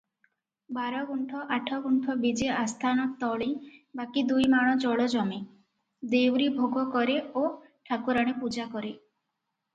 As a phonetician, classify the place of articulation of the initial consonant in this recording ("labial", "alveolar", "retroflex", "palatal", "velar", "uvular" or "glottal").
labial